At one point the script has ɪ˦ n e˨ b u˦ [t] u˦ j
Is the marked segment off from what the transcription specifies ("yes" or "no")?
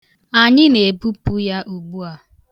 yes